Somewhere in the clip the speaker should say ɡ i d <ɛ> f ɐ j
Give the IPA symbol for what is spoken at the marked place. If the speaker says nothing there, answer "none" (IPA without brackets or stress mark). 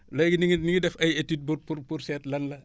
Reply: ɛ